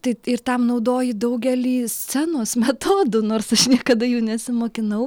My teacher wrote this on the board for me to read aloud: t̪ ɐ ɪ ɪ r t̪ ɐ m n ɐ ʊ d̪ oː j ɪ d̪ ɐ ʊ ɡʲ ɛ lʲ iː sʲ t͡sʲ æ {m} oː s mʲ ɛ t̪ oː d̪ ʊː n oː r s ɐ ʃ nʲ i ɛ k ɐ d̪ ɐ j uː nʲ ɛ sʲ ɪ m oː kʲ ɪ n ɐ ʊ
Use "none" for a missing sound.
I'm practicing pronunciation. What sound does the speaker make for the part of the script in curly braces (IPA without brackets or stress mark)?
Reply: n